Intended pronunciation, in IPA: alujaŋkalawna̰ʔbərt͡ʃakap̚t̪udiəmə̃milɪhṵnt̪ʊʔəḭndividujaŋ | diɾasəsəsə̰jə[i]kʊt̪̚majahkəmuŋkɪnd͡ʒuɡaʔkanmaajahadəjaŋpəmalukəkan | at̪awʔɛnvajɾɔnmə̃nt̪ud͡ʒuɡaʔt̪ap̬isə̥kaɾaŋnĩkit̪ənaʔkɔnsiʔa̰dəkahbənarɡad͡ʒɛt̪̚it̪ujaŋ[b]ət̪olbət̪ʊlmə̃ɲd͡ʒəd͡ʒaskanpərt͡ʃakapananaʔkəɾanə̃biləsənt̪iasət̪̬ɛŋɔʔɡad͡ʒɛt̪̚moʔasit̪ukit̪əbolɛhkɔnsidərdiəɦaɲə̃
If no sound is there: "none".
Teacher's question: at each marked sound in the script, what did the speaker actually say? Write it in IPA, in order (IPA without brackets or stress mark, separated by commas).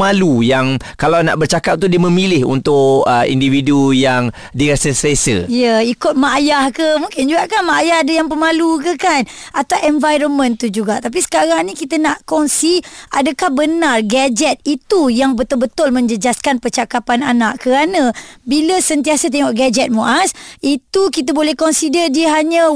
i, b